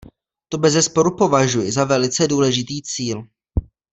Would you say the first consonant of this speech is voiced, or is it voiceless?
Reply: voiceless